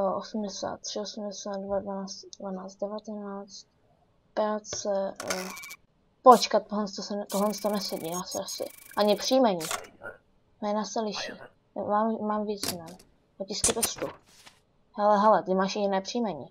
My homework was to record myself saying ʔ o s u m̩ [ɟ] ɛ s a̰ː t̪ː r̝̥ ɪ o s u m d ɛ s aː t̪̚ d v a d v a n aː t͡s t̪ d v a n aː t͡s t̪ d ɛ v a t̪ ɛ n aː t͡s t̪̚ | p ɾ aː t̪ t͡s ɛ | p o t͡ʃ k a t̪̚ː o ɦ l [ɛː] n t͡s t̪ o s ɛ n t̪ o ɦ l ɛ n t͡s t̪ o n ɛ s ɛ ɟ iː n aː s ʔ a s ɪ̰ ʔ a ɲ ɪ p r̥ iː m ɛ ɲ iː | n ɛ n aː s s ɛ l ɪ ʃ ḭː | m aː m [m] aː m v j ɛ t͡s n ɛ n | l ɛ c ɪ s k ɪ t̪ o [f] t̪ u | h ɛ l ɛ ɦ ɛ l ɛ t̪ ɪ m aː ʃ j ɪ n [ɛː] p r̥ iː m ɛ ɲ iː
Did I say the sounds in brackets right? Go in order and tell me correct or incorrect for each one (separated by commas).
incorrect, incorrect, correct, incorrect, correct